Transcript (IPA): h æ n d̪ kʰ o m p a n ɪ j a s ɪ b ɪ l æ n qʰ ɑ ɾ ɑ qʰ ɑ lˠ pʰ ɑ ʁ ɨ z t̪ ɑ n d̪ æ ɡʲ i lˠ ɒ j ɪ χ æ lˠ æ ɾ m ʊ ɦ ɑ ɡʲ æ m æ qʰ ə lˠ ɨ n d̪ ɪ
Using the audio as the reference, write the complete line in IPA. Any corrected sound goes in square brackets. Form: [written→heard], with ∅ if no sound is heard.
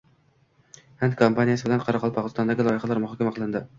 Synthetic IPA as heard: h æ n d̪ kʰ o m p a n [ɪ→i] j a s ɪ b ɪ l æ n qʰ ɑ ɾ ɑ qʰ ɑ lˠ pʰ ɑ ʁ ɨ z t̪ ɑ n d̪ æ ɡʲ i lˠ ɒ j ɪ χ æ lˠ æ ɾ m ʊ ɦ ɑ [ɡʲ→kʲ] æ m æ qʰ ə lˠ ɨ n d̪ ɪ